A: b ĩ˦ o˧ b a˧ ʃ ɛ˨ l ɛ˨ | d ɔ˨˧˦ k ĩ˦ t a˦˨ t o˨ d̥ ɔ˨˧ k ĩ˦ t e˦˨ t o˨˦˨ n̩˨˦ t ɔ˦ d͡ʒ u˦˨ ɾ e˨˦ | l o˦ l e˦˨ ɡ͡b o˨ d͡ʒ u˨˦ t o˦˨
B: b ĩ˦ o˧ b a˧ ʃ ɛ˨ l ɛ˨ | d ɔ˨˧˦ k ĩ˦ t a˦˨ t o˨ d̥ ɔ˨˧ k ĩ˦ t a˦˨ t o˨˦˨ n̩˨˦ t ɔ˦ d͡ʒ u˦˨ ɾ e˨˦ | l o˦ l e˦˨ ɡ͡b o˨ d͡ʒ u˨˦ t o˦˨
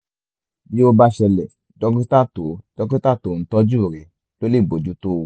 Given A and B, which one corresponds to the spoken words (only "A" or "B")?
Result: B